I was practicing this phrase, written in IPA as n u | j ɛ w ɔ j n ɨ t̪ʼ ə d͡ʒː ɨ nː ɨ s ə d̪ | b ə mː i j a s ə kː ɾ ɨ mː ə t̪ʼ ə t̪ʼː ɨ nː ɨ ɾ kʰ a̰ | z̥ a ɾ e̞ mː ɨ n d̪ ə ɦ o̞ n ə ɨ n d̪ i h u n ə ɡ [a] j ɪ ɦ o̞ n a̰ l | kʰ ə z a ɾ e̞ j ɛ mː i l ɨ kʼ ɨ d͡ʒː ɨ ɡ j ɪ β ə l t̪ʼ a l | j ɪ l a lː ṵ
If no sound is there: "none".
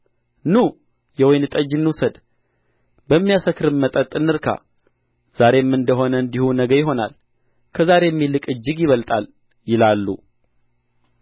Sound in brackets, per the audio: ə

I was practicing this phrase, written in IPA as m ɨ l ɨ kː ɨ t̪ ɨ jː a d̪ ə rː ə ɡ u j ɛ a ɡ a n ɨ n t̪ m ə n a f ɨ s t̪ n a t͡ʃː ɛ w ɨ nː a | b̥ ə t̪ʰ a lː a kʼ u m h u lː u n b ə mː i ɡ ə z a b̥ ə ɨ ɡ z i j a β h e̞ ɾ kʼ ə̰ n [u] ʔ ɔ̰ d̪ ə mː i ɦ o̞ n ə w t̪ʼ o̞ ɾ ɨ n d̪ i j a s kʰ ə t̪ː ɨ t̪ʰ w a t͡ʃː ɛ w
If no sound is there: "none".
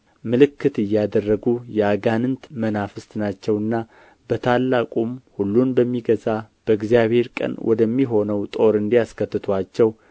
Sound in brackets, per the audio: w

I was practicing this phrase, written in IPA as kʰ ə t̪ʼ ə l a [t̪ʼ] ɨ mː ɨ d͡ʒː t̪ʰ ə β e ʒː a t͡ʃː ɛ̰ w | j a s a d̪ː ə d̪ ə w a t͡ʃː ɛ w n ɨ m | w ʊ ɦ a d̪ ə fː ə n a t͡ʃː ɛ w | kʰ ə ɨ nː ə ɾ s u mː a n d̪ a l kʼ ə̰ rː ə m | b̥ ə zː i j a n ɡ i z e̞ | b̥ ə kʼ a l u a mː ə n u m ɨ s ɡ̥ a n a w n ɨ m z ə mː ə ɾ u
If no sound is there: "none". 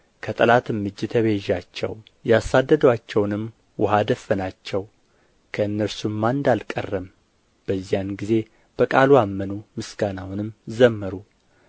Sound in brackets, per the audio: t̪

